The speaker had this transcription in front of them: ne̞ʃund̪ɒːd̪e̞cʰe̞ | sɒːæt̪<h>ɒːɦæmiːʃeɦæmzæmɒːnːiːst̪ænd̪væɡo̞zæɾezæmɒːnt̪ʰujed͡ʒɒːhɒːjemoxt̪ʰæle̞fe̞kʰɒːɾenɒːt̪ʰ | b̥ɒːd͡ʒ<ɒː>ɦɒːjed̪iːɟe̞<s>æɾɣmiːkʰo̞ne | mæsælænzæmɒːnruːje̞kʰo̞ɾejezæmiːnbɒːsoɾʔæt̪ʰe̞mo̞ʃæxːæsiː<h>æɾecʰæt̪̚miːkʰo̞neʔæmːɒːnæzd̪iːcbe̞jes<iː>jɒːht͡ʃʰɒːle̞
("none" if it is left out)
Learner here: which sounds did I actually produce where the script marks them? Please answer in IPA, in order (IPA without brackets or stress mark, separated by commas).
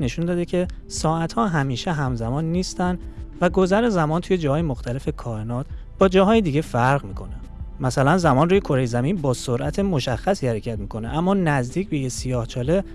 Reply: h, ɒː, f, h, i